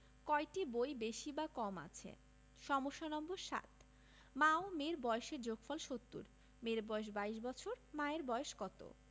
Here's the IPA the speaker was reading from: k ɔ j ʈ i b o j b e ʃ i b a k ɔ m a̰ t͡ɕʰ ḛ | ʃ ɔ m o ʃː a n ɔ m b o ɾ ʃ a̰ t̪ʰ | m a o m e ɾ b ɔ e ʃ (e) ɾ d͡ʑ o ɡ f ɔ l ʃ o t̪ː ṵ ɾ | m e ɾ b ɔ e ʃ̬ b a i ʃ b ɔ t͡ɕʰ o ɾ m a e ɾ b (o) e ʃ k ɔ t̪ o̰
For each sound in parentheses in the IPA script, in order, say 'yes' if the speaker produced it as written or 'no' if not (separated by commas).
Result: yes, no